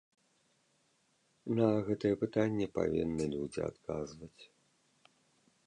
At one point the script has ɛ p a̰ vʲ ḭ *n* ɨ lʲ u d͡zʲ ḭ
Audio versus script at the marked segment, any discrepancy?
yes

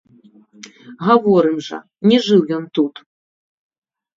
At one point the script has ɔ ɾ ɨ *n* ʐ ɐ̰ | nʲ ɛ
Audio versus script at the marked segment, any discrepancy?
yes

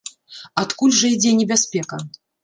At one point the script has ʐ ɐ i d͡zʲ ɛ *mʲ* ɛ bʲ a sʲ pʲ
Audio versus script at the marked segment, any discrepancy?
yes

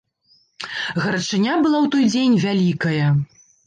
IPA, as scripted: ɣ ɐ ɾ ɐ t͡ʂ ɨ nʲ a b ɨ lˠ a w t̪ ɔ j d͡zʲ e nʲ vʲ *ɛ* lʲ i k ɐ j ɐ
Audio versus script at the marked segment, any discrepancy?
yes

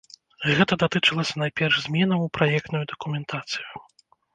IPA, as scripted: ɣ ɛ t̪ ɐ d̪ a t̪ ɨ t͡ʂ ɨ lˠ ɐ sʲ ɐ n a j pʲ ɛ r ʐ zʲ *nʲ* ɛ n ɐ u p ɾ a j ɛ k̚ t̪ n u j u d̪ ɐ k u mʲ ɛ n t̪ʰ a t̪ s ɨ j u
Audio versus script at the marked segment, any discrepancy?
yes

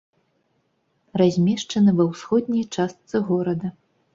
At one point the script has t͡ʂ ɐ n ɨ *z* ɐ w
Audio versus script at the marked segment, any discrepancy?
yes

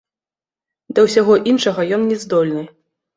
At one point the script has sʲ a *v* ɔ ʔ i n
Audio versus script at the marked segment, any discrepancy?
yes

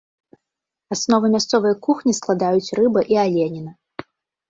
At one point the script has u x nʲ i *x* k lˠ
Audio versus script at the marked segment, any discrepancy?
yes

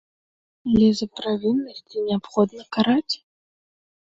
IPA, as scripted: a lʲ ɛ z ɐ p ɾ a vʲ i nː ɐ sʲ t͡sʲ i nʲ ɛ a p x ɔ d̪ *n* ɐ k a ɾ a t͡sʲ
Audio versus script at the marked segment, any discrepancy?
no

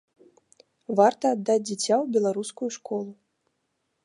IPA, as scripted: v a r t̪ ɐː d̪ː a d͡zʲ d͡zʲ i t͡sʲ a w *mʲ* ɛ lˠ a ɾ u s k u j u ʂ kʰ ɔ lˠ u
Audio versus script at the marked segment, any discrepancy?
yes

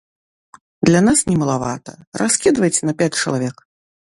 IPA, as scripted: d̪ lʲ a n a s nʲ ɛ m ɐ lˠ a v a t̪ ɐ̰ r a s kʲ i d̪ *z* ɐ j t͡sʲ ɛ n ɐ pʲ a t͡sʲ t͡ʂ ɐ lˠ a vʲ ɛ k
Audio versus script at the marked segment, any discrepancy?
yes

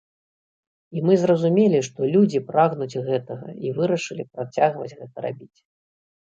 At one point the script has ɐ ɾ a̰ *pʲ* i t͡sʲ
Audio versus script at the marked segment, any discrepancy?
yes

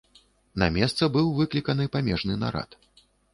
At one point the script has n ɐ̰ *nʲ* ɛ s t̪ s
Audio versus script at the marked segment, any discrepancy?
yes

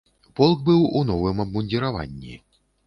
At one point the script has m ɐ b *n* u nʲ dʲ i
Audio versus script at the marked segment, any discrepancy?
yes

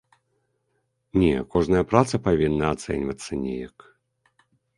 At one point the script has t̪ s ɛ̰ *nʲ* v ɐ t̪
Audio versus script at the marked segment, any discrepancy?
no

